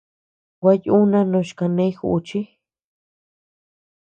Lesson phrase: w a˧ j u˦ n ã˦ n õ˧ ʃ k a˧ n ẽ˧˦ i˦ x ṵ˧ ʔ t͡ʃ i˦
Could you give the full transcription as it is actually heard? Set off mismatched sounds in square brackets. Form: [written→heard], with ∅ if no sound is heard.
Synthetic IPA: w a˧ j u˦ n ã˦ n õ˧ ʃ k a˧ n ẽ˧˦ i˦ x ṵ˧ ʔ t͡ʃ i˦